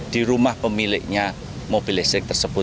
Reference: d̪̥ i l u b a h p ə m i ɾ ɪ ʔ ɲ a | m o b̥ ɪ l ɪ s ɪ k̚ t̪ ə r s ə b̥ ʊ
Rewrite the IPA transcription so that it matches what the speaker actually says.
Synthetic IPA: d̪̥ i ɾ u m a h p ə m i l ɪ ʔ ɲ a | m o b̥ i l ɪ s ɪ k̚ t̪ ə r s ə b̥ ʊ